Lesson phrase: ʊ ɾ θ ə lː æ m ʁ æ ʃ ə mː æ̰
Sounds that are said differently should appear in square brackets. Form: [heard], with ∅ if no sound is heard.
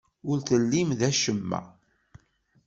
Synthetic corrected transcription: ʊ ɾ θ ə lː [i] m [ð] æ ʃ ə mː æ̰

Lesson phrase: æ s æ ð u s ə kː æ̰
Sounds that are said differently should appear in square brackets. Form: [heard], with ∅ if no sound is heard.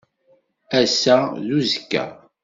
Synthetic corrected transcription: æ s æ ð u [z] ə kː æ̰

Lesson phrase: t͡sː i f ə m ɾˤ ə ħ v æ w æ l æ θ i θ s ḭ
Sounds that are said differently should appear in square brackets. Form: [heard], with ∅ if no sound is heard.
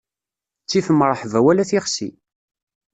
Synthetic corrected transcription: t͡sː i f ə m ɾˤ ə ħ v æ w æ l æ θ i [χ] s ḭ

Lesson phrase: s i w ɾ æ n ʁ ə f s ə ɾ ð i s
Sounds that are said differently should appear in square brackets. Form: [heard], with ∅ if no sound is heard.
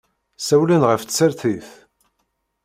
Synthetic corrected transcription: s [æ] w [l] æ n ʁ ə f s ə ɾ [θ] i [θ]

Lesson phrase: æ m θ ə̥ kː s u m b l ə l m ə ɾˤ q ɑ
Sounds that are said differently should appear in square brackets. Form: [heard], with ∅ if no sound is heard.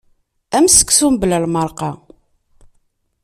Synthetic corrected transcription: æ m [s] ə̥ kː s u m b l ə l m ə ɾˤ q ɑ

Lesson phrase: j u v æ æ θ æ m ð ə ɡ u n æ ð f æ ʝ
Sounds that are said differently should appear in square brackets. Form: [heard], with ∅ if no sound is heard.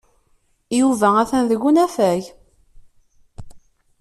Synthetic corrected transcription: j u v æ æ θ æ [n] ð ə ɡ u n æ [∅] f æ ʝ

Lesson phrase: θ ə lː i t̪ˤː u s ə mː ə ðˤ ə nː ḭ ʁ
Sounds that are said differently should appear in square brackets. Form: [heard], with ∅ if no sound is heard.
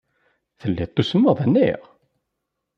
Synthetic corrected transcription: θ ə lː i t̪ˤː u s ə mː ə ðˤ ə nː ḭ ʁ

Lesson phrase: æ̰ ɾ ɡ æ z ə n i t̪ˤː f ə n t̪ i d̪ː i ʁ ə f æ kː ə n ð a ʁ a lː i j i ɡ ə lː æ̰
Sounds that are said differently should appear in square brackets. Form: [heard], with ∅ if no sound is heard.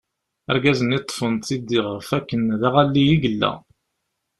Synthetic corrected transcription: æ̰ ɾ ɡ æ z ə n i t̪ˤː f ə n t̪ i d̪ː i ʁ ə f æ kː ə n ð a ʁ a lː i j i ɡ ə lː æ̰

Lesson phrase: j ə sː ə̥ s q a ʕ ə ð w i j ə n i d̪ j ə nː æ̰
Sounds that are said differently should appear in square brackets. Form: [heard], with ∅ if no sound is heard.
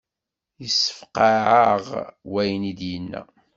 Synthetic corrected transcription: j ə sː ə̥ [f] q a ʕ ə [ʁ] w [æ] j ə n i d̪ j ə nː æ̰

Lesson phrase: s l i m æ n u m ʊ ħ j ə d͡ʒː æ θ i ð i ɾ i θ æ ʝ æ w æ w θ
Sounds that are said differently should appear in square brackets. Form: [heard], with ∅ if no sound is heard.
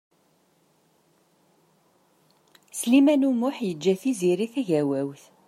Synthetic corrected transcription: s l i m æ n u m ʊ ħ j ə d͡ʒː æ θ i [z] i ɾ i θ æ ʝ æ w æ w θ

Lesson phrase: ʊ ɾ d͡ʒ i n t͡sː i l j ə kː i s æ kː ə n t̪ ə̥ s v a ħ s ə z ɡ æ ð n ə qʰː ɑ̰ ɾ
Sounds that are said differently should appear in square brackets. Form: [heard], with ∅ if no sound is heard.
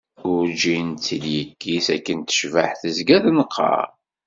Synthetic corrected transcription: ʊ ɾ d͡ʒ i n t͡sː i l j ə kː i s æ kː ə n t̪ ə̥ [ʃ] v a ħ [θ] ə z ɡ æ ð n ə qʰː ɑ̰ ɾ

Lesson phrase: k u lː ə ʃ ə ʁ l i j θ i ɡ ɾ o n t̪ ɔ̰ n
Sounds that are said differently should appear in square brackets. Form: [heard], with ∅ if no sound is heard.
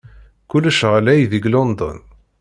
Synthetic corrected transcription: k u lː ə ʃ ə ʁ l [æ] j [ð] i ɡ [l] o n [d̪] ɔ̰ n

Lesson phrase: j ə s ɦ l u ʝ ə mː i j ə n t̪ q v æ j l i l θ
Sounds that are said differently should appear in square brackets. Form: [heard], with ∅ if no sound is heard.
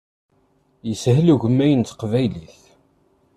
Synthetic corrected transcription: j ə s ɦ l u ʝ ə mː [æ] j ə n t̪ q v æ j l i [∅] θ

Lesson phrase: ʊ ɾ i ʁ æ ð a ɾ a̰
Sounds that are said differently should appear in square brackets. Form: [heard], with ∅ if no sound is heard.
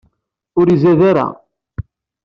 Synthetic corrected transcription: ʊ ɾ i [z] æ ð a ɾ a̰

